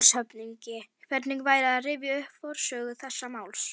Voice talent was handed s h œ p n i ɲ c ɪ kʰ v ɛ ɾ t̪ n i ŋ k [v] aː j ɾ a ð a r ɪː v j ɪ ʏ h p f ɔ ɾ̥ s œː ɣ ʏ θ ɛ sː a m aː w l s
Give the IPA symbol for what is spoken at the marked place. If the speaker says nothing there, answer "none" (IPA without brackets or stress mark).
v